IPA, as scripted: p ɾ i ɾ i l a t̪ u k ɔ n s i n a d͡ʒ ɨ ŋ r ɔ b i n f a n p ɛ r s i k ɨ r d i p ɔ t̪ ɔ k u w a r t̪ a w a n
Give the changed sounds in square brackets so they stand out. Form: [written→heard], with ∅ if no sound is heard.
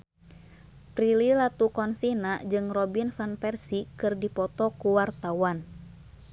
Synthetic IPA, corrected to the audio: p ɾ i [ɾ→l] i l a t̪ u k ɔ n s i n a d͡ʒ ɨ ŋ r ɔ b i n f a n p ɛ r s i k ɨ r d i p ɔ t̪ ɔ k u w a r t̪ a w a n